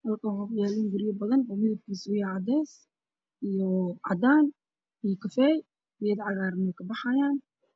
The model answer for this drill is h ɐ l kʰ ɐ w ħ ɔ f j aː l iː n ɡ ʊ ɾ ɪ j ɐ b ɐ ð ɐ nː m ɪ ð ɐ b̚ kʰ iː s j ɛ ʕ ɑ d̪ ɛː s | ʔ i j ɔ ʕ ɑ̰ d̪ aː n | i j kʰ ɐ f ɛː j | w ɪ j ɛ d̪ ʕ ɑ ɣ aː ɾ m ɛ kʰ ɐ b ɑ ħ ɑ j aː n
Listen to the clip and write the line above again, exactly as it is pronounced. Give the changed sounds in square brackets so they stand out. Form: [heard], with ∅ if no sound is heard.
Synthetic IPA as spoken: h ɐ l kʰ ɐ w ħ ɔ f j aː l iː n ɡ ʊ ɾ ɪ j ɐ b ɐ ð ɐ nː m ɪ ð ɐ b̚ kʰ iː s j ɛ ʕ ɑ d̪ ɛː s | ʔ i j ɔ ʕ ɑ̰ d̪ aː n | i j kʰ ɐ f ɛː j | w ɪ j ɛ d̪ ʕ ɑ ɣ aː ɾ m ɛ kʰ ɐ b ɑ ħ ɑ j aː n